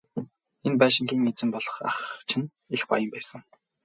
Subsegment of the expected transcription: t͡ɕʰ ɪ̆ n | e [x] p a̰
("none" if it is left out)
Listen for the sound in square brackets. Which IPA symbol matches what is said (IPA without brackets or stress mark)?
x